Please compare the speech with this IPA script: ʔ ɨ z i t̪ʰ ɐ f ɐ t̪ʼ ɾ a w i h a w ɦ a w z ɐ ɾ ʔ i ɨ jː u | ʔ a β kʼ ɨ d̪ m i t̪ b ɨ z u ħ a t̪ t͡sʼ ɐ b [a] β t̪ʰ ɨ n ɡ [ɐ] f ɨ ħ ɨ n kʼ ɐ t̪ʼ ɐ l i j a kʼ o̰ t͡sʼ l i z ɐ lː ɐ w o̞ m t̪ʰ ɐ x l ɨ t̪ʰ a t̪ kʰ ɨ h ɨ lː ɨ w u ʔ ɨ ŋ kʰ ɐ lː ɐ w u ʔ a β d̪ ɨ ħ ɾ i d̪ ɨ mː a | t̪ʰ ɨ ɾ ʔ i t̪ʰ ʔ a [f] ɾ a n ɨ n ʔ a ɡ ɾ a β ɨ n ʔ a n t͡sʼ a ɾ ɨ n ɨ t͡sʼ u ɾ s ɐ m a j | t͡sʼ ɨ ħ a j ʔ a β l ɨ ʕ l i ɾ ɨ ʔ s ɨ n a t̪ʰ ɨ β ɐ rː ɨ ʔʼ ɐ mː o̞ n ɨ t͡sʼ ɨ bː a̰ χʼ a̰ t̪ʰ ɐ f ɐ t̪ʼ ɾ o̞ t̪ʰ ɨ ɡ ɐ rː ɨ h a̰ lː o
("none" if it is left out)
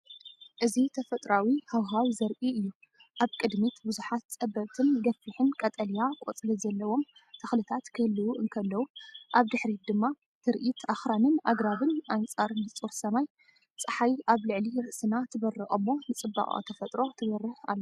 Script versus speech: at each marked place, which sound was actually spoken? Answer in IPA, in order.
ɐ, ɐ, x

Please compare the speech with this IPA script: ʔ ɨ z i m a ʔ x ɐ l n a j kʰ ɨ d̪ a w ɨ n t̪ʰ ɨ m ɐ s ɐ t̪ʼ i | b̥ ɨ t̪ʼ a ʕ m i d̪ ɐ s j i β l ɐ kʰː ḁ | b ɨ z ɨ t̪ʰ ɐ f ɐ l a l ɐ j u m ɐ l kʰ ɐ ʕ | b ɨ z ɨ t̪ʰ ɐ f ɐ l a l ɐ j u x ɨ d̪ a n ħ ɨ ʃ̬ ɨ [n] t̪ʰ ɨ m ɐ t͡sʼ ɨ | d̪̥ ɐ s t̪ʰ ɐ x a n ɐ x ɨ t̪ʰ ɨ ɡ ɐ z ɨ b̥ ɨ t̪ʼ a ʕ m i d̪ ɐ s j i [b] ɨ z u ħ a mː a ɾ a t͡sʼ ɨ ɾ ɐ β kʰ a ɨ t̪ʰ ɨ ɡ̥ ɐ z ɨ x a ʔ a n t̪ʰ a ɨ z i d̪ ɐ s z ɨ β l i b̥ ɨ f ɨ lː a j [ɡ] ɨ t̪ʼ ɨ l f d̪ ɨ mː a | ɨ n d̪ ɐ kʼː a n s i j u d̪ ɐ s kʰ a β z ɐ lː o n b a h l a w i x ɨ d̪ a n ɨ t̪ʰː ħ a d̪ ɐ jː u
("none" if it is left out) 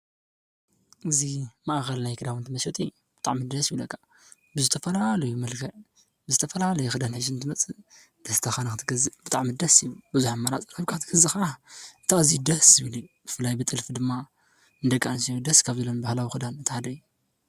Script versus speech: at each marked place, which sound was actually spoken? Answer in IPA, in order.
n, b, b

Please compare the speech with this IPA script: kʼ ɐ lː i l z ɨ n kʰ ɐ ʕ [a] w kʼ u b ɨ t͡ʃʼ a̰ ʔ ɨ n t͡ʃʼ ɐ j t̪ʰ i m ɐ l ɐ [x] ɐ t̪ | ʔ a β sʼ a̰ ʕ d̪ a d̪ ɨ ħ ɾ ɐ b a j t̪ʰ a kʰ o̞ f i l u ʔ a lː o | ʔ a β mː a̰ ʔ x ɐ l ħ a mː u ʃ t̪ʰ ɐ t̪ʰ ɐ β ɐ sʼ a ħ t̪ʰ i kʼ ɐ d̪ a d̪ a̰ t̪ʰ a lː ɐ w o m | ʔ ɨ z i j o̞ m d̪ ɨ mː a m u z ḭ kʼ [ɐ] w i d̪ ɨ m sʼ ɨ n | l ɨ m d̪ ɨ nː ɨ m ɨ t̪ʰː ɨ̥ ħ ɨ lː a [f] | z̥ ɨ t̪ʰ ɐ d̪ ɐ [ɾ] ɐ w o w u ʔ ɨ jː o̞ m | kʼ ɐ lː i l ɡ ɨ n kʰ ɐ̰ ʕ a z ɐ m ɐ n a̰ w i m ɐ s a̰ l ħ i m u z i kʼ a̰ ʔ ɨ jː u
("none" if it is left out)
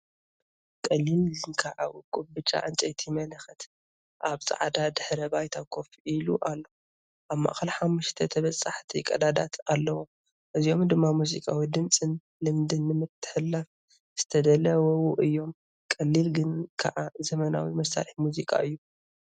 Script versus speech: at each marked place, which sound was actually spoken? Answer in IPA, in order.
a, x, a, f, l

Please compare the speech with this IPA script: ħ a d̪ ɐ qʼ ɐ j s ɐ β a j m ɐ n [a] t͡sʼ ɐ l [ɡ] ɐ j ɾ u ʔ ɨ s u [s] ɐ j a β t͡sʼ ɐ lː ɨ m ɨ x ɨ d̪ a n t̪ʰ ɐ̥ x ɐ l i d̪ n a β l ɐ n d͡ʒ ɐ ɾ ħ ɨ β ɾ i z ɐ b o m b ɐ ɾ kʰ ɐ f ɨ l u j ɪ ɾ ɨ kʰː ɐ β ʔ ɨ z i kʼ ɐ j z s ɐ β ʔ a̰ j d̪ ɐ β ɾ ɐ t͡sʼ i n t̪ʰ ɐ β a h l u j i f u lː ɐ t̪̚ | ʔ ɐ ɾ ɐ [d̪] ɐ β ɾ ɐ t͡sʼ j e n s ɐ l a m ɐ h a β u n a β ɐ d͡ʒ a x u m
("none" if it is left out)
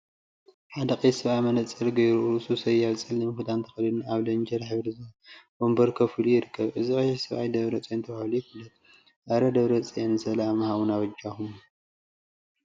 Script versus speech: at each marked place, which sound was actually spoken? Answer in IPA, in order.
ɐ, ɡ, s, d̪

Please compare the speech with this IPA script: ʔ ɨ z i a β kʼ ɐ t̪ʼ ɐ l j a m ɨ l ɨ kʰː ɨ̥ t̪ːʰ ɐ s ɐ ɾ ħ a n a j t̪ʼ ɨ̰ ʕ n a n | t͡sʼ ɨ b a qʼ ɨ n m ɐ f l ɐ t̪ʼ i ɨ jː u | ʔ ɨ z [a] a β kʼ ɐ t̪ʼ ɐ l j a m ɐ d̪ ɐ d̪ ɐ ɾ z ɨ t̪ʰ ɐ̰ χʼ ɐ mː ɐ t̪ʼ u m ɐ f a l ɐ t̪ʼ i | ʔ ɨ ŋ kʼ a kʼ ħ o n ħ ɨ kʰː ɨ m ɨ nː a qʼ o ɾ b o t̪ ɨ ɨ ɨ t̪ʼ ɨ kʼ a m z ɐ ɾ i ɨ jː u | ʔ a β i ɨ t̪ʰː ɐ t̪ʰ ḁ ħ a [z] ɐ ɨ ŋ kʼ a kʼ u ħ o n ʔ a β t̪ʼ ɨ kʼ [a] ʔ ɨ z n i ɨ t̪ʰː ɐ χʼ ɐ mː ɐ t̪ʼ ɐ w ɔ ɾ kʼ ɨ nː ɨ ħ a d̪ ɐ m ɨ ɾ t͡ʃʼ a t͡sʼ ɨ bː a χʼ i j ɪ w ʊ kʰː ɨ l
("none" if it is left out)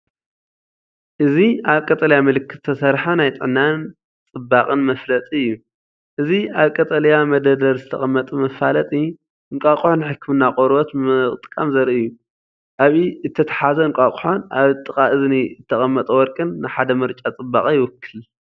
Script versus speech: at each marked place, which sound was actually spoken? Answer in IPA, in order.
i, z, a

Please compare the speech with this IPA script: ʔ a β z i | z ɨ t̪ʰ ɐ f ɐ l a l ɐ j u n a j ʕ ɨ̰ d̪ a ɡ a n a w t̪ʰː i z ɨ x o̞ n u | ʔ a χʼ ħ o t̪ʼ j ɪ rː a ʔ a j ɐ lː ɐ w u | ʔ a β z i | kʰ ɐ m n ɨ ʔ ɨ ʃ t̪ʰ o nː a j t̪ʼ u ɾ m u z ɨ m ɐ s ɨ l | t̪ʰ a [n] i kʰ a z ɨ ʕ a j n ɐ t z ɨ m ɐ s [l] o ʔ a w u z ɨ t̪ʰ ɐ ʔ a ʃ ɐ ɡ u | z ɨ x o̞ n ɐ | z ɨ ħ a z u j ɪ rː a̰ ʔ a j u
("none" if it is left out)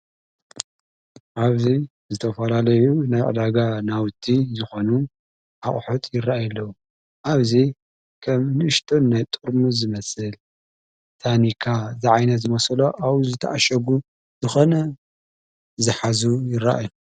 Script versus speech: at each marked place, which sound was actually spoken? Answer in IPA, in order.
n, l

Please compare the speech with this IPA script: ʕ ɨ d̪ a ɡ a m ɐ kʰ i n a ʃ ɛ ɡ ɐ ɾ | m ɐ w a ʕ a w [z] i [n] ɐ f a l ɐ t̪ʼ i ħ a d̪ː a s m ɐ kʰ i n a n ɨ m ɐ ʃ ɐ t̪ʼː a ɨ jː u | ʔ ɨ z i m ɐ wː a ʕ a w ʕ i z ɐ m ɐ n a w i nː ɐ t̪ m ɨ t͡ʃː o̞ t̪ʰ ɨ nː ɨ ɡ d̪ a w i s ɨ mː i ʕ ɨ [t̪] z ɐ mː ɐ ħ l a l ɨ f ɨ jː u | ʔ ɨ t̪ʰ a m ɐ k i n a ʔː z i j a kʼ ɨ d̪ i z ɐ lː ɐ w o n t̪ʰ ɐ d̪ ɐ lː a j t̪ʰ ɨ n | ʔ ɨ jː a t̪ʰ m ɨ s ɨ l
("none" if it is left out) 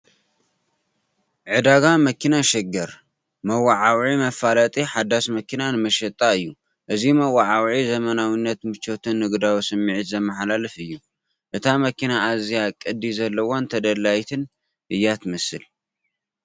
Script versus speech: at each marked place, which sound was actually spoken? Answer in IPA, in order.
ʕ, m, t̪

